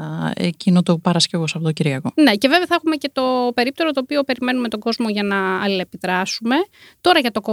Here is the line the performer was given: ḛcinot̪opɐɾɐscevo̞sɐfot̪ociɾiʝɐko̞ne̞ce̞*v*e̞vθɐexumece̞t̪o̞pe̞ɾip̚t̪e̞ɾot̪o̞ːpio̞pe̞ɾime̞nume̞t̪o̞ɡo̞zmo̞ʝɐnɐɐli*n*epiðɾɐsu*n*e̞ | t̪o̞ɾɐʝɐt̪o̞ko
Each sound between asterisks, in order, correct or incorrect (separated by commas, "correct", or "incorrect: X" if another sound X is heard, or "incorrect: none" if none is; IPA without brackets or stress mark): correct, incorrect: none, incorrect: m